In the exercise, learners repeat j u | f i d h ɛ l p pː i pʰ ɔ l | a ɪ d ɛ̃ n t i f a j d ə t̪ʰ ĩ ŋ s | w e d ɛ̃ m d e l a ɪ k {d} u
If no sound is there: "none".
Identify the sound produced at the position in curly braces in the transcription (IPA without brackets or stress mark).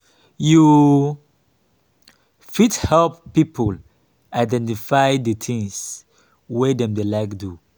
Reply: d